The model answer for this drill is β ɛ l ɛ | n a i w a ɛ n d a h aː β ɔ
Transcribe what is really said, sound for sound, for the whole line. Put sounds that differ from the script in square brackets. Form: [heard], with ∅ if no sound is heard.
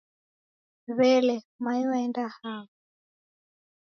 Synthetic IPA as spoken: β ɛ l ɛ | [m] a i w a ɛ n d a h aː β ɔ